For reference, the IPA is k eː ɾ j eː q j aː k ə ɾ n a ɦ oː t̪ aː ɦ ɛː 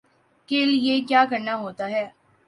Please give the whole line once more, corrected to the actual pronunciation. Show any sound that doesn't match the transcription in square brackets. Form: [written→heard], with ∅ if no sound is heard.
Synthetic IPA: k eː [ɾ→l] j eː [q→k] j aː k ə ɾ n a ɦ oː t̪ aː ɦ ɛː